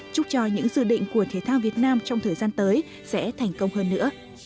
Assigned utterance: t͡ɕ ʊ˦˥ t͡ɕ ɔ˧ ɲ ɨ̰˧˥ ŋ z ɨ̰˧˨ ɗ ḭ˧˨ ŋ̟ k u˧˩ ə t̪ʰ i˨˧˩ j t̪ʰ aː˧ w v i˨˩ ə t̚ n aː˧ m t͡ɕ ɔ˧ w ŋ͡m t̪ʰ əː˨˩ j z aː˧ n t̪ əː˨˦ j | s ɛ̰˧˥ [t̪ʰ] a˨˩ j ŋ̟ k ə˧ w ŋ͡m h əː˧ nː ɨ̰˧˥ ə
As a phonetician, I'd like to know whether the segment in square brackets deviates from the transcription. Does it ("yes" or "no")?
no